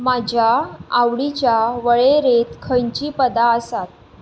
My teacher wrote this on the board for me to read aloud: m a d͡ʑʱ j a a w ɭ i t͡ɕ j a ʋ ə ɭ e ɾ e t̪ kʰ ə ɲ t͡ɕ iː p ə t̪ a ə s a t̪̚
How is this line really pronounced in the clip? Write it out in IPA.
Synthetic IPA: m a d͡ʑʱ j a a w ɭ i t͡ɕ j a ʋ ə ɭ e ɾ e t̪ kʰ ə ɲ t͡ɕ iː p ə d̪ a ə s a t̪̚